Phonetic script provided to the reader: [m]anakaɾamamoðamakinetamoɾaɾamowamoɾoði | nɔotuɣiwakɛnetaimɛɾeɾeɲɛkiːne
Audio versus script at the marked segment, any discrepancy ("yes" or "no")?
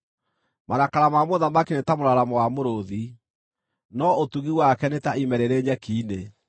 no